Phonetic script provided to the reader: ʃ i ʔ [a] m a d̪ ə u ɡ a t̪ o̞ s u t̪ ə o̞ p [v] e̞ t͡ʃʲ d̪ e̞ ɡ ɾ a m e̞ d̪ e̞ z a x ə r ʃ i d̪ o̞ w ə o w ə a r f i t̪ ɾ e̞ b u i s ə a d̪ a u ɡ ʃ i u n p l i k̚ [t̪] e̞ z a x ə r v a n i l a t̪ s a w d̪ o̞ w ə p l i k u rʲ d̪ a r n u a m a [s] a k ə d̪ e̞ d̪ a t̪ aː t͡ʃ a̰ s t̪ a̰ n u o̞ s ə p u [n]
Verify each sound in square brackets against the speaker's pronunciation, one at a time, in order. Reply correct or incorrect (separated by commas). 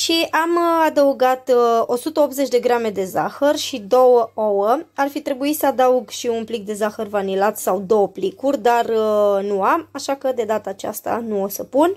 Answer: correct, incorrect, incorrect, incorrect, correct